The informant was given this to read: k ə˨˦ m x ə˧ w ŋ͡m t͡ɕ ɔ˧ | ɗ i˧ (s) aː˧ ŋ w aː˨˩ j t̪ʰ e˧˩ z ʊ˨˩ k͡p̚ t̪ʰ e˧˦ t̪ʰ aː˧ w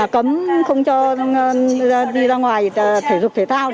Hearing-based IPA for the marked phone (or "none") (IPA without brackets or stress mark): z